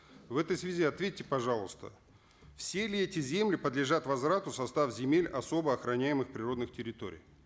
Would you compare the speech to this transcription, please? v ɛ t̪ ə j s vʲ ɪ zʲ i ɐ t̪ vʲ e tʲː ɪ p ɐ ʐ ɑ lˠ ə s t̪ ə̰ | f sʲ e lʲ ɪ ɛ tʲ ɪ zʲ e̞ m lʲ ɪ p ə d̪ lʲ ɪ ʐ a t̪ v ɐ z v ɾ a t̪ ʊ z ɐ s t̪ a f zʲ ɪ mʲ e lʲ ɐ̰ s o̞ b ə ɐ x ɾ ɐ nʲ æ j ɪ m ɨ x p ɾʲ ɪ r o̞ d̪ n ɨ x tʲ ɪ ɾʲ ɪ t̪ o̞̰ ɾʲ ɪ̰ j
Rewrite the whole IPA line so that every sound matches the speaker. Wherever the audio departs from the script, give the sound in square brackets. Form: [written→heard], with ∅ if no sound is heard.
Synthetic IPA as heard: v ɛ t̪ ə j s vʲ ɪ zʲ i ɐ t̪ vʲ e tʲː ɪ p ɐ ʐ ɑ lˠ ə s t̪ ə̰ | f sʲ e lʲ ɪ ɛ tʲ ɪ zʲ e̞ m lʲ ɪ p ə d̪ lʲ ɪ ʐ a t̪ v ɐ z v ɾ a t̪ ʊ [z→s] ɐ s t̪ a f zʲ ɪ mʲ e lʲ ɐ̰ s o̞ b ə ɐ x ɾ ɐ nʲ æ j ɪ m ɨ x p ɾʲ ɪ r o̞ d̪ n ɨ x tʲ ɪ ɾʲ ɪ t̪ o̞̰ ɾʲ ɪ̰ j